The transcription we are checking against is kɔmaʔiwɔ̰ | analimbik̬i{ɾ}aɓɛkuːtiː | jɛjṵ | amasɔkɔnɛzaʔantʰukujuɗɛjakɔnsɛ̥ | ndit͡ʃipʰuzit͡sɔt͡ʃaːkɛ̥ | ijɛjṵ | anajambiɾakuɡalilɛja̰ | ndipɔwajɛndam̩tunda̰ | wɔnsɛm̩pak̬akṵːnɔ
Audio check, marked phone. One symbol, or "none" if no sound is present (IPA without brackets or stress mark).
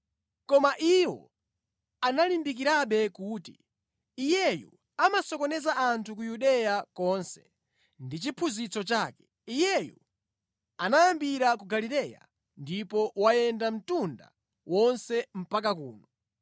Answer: ɾ